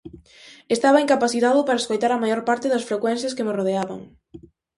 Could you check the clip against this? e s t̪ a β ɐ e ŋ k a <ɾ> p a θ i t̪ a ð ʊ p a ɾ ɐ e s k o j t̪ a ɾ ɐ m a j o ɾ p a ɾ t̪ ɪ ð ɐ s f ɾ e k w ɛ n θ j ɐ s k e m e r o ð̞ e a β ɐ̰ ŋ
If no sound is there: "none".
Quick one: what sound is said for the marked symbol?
none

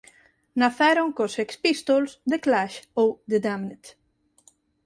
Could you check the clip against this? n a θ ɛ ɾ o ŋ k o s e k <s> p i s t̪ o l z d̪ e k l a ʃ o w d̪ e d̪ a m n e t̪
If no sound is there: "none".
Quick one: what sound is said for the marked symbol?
s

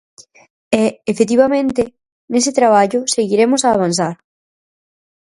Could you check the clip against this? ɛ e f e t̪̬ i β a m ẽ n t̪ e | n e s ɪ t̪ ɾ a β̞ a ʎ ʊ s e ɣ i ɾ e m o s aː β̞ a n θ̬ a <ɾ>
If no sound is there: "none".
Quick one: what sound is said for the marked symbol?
ɾ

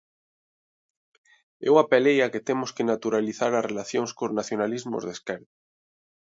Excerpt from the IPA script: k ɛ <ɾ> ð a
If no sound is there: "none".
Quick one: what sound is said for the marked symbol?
ɾ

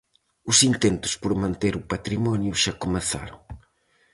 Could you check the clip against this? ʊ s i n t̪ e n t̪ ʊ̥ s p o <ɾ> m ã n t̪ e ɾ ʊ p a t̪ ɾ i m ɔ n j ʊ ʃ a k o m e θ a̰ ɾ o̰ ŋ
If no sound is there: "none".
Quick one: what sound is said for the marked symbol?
ɾ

